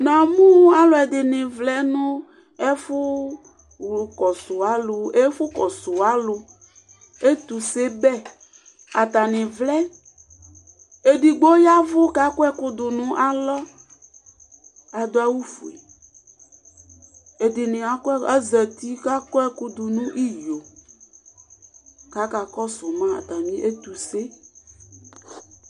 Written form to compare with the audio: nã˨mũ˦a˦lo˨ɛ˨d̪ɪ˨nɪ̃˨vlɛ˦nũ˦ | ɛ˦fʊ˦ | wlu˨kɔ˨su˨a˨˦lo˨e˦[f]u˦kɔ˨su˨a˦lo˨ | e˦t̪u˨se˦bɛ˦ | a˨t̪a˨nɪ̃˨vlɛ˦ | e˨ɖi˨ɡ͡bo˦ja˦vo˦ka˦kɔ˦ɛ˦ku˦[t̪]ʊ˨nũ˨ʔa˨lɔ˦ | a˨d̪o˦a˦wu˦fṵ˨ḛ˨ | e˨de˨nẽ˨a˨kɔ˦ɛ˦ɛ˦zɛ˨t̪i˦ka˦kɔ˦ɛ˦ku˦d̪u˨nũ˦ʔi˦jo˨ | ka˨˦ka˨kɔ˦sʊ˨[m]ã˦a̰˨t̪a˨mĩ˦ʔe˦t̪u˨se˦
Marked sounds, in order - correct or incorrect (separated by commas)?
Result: correct, incorrect, correct